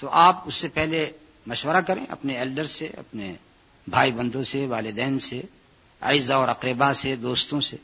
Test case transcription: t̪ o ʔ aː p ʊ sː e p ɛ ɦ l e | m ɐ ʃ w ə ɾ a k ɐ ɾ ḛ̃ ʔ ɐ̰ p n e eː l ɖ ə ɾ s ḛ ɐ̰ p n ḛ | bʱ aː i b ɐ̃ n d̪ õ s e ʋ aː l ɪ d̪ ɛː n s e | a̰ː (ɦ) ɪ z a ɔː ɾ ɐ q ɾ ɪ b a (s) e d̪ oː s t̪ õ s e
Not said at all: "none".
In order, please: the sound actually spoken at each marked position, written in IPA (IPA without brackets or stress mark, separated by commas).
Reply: none, s